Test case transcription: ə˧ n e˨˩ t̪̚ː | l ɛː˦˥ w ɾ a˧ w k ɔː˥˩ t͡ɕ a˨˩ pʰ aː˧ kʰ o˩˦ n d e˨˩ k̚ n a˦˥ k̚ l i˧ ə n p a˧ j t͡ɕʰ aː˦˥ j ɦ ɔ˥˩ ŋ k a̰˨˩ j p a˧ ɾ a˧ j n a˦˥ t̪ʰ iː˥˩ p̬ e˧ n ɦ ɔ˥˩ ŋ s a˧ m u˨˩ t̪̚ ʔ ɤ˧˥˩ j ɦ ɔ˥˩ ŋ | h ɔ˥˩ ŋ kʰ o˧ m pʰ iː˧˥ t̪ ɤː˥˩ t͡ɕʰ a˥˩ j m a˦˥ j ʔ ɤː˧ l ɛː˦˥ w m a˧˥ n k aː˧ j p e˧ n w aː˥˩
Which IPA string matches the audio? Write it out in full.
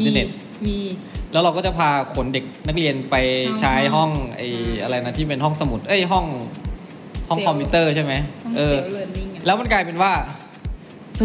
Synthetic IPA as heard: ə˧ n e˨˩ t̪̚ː | l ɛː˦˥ w ɾ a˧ w k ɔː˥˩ t͡ɕ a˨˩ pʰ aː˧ kʰ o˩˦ n d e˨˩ k̚ n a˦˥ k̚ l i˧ ə n p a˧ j t͡ɕʰ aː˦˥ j ɦ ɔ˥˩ ŋ ʔ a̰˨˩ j ʔ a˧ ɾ a˧ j n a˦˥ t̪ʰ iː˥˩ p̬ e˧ n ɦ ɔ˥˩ ŋ s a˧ m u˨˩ t̪̚ ʔ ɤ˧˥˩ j ɦ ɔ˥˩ ŋ | h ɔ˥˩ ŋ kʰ ɔ˧ m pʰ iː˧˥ t̪ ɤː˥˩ t͡ɕʰ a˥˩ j m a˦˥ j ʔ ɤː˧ l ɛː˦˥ w m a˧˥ n k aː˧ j p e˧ n w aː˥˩